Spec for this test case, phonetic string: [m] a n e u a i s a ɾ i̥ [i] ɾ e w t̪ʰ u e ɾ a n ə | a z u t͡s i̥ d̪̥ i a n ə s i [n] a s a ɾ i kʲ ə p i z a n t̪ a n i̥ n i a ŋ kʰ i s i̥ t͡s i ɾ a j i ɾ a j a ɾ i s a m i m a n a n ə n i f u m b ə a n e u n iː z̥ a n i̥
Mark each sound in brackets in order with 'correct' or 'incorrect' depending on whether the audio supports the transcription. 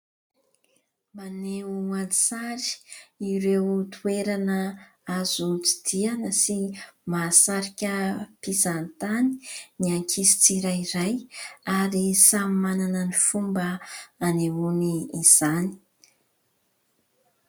correct, correct, incorrect: m

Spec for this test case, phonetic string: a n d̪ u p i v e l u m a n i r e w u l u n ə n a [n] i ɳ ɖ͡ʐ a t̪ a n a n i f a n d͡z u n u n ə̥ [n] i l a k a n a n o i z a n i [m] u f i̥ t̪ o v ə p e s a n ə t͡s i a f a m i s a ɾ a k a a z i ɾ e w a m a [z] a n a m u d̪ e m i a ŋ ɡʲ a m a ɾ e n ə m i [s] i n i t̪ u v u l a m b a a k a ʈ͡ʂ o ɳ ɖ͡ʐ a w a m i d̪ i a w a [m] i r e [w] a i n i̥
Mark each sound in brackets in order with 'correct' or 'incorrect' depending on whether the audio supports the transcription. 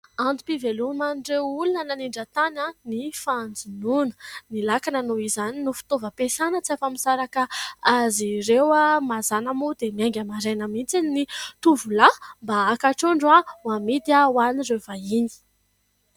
correct, correct, incorrect: n, correct, incorrect: t͡s, incorrect: n, incorrect: v

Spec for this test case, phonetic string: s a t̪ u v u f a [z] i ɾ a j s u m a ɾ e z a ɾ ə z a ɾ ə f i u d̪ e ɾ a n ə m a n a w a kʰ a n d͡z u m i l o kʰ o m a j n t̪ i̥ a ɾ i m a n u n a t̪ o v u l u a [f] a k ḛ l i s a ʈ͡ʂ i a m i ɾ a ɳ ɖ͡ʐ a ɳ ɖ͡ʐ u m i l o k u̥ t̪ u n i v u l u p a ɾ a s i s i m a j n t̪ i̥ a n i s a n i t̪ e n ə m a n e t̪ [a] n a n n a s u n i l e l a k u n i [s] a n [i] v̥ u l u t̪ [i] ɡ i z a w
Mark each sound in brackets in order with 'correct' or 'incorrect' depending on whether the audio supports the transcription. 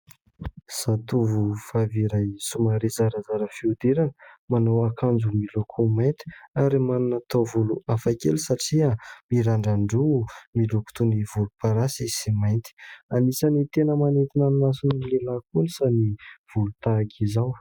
incorrect: v, correct, incorrect: i, correct, correct, incorrect: a

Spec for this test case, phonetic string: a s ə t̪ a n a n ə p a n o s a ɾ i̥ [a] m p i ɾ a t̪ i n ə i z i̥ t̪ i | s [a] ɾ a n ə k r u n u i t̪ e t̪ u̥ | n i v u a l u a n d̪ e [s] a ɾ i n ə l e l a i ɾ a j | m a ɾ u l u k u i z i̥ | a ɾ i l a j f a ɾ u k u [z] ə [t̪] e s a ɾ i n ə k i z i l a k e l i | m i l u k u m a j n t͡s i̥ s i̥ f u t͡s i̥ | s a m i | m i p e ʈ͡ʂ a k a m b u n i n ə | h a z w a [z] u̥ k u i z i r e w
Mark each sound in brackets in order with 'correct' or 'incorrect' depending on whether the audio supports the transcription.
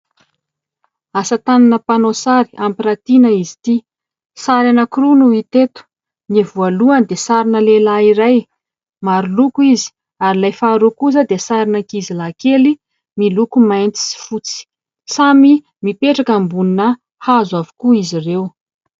correct, correct, correct, correct, incorrect: d̪, incorrect: v

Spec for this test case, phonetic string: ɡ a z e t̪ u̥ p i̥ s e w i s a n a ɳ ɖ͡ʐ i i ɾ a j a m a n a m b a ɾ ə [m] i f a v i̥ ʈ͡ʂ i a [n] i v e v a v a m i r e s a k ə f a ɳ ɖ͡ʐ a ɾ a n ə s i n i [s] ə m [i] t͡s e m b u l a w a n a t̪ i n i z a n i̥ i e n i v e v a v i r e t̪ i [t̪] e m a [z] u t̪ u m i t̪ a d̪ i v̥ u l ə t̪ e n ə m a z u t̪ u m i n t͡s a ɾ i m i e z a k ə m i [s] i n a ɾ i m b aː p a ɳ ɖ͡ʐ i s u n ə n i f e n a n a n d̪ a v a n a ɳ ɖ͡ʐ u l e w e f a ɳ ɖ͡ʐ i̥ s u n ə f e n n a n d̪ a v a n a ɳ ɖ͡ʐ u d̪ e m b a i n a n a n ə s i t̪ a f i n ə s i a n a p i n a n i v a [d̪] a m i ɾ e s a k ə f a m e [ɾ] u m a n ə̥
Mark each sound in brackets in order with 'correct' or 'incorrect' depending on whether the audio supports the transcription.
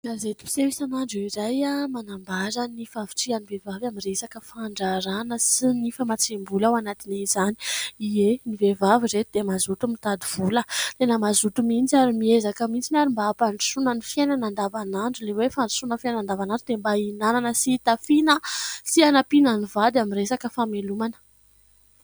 incorrect: n, correct, incorrect: f, incorrect: a, incorrect: d̪, correct, incorrect: t͡s, correct, incorrect: l

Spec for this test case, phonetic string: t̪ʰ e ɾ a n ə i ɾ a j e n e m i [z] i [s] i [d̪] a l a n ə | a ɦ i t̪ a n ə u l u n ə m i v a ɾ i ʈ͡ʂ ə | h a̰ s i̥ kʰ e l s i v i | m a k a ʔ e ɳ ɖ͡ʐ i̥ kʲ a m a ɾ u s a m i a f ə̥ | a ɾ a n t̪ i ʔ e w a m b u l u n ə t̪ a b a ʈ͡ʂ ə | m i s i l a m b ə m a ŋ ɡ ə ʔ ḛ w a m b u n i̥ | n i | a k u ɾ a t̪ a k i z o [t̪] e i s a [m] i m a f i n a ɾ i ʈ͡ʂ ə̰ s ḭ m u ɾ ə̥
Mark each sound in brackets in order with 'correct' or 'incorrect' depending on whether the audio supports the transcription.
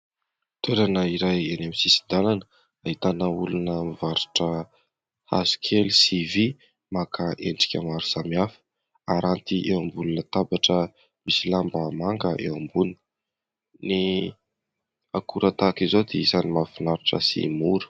incorrect: s, correct, correct, incorrect: d̪, incorrect: n

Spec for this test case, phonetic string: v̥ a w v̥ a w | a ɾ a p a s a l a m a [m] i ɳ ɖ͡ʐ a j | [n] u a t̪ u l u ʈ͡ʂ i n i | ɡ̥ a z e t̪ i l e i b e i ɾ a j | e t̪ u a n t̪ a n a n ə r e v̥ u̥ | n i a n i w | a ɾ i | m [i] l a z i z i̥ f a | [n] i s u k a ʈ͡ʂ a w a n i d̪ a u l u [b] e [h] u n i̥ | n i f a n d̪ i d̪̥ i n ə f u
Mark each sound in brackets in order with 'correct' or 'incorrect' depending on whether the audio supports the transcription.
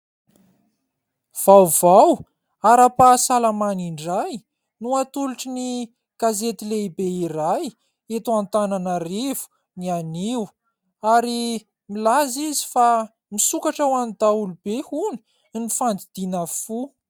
incorrect: n, correct, correct, incorrect: m, correct, correct

